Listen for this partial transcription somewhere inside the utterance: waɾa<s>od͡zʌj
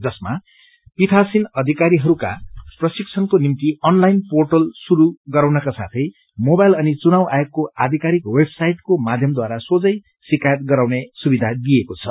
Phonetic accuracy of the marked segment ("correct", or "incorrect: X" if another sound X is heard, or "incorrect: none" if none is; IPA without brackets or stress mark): correct